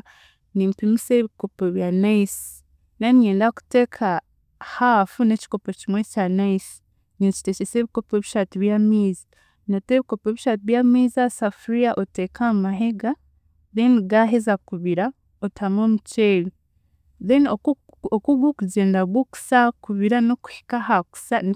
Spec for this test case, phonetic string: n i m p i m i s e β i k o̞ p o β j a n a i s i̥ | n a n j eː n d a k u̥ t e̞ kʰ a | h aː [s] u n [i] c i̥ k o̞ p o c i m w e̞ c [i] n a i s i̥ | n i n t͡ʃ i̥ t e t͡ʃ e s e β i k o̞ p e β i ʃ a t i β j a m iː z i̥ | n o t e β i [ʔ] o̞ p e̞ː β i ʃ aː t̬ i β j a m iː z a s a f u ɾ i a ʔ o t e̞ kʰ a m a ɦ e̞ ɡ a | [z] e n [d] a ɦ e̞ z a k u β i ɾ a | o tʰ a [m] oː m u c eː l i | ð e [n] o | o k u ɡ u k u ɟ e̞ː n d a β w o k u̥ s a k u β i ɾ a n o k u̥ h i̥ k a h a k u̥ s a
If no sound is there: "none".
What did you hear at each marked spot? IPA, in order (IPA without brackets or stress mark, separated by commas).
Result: f, e, a, k, ð, ɡ, m, n